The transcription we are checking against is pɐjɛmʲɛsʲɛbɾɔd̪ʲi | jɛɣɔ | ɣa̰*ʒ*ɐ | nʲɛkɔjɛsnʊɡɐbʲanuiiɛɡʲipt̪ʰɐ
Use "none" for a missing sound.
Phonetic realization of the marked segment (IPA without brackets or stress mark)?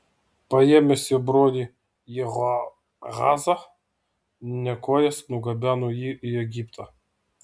z